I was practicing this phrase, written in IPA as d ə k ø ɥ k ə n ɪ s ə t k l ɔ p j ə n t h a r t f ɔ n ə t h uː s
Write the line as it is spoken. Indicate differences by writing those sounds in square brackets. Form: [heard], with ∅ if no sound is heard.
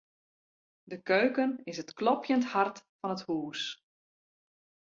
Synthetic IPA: d ə k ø ɥ k ə n ɪ s ə t k l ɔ p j ə n t h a r t f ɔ n ə t h uː s